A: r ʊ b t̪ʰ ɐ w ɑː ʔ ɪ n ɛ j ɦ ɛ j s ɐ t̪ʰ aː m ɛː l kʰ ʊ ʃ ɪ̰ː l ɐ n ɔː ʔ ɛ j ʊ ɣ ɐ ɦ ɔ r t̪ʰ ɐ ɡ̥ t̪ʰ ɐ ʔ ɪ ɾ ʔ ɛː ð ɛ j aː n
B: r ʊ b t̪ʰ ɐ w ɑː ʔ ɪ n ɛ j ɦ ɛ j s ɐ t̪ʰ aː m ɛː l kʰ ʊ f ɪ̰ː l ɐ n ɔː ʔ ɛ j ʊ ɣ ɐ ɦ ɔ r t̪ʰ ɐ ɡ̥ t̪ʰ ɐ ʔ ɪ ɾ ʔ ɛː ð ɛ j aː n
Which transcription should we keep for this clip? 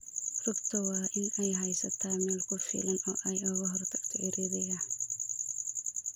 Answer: B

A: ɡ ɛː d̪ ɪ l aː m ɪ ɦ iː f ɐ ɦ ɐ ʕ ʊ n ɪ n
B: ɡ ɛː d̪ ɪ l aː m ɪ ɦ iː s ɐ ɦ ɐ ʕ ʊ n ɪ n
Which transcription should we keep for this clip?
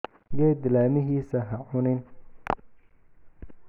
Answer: B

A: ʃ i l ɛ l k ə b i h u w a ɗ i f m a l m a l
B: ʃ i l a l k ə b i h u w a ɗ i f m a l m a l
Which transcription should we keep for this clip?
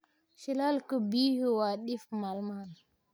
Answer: B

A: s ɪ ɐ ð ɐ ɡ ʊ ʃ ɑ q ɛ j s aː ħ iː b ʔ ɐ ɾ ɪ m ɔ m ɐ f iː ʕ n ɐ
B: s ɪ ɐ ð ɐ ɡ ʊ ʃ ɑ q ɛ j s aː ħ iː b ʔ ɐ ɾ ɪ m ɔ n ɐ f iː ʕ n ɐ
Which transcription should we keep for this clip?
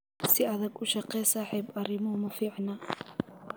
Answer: A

